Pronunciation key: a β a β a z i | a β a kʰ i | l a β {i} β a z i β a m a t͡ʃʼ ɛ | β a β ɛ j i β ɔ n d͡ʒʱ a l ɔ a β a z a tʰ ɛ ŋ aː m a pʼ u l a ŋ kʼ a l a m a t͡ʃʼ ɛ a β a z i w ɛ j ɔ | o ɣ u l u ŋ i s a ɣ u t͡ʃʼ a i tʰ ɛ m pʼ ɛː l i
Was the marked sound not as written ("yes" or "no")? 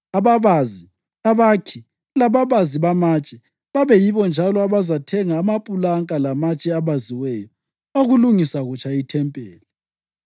yes